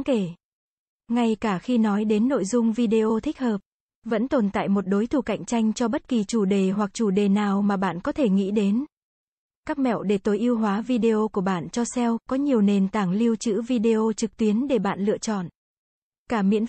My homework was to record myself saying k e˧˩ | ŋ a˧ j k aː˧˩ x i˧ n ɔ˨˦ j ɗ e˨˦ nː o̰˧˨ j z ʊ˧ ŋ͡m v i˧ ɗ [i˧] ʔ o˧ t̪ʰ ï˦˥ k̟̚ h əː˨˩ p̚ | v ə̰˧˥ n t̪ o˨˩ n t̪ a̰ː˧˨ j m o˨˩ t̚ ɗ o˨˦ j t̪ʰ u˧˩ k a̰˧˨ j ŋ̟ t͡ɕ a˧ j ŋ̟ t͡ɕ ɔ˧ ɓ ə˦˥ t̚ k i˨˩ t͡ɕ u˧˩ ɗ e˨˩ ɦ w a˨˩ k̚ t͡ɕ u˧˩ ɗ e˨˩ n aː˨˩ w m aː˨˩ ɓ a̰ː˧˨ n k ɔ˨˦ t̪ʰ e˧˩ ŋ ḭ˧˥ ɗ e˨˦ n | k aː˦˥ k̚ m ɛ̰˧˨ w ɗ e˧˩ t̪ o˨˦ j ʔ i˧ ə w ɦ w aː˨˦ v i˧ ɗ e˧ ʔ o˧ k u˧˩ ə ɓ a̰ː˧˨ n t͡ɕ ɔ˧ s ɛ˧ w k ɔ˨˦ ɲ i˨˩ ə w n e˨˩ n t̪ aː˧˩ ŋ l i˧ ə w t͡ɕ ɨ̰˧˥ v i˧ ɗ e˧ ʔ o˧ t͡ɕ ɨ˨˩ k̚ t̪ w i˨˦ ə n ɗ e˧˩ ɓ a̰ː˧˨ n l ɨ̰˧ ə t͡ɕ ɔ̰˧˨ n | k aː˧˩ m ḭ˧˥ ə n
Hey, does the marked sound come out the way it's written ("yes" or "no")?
no